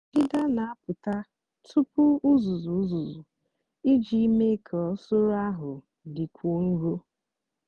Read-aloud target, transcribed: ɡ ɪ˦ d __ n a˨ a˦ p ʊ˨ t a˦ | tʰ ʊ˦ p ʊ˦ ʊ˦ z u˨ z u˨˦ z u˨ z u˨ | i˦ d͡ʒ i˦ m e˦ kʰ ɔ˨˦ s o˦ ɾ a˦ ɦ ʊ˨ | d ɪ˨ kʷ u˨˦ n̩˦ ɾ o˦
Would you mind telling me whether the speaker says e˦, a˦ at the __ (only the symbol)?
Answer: a˦